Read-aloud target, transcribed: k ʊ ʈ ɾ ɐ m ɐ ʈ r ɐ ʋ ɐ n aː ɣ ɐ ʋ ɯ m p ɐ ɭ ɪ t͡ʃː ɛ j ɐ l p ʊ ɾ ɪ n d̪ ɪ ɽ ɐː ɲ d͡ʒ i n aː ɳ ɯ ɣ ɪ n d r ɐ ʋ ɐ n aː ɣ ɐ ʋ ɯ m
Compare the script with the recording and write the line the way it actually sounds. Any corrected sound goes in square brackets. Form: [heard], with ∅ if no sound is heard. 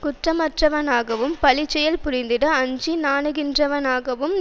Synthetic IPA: k ʊ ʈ [r] ɐ m ɐ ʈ r ɐ ʋ ɐ n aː ɣ ɐ ʋ ɯ m p ɐ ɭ ɪ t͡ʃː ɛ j ɐ l p ʊ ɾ ɪ n d̪ ɪ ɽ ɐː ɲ d͡ʒ i n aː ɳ ɯ ɣ ɪ n d r ɐ ʋ ɐ n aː ɣ ɐ ʋ ɯ m